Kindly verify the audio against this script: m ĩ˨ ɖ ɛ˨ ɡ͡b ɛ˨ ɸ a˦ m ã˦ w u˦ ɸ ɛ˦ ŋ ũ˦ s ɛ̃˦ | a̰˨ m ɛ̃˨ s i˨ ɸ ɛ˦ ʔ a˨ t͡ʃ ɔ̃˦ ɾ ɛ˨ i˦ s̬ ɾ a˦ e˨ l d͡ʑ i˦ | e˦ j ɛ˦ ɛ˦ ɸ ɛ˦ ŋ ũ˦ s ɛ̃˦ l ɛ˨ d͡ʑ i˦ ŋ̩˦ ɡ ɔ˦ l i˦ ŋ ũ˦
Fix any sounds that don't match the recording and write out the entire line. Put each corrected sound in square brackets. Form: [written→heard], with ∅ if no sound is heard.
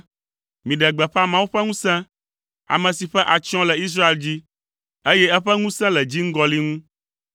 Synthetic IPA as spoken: m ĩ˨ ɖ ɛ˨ ɡ͡b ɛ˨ ɸ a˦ m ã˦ w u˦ ɸ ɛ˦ ŋ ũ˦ s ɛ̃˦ | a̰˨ m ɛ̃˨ s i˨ ɸ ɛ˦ ʔ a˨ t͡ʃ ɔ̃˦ [ɾ→l] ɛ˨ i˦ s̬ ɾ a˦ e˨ l d͡ʑ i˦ | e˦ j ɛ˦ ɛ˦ ɸ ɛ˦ ŋ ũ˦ s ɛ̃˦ l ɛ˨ d͡ʑ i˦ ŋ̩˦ ɡ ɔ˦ l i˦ ŋ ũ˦